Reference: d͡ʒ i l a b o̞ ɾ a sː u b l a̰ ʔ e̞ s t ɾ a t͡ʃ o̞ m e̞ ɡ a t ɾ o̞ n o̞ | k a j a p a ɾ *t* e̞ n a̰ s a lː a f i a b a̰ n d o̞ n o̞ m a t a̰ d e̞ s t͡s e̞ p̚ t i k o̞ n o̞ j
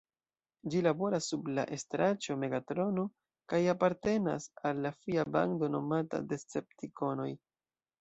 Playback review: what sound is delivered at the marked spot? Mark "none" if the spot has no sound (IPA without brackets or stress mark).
t